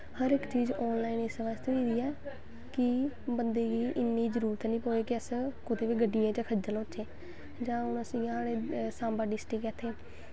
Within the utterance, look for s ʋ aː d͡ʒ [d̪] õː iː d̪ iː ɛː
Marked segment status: incorrect: t̪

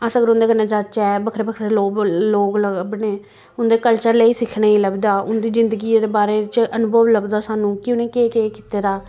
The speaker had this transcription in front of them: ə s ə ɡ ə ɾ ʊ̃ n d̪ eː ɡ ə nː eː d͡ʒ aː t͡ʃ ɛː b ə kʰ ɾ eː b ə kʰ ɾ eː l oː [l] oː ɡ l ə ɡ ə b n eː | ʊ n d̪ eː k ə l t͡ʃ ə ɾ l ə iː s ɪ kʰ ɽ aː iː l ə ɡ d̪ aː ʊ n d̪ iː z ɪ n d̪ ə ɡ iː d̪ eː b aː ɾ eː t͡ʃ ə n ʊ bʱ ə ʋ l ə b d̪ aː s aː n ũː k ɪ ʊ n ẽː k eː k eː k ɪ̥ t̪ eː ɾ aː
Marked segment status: correct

